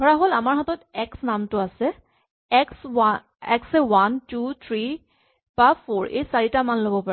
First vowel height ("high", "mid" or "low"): mid